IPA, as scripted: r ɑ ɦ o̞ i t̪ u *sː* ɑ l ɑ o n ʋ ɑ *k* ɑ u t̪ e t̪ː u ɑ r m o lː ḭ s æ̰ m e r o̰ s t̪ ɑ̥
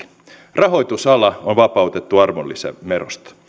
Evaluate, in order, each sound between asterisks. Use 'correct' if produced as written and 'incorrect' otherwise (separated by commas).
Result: incorrect, incorrect